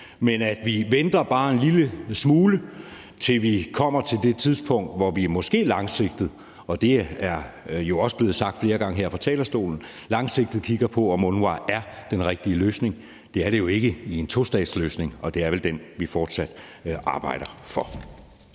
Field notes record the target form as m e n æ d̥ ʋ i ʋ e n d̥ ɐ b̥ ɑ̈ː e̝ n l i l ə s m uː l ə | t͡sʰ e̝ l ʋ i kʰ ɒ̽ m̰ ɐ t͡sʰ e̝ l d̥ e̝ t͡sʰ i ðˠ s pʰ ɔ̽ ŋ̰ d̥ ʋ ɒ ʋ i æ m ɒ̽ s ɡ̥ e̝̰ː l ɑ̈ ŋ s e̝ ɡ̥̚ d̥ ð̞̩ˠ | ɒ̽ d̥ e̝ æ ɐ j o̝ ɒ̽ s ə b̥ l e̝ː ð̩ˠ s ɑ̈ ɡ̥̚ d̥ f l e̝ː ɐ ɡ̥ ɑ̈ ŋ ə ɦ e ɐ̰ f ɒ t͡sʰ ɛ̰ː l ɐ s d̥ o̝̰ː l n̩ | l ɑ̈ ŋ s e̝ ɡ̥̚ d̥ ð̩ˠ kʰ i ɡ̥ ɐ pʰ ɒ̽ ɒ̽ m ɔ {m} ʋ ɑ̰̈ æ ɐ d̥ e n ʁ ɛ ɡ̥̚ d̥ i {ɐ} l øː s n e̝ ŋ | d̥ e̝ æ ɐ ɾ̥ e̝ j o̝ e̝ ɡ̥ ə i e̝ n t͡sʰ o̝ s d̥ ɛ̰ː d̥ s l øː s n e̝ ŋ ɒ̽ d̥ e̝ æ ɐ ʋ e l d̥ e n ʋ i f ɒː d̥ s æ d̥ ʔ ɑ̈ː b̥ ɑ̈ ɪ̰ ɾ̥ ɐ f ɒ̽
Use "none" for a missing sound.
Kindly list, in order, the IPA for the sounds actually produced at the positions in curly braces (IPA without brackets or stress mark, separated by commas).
n, ə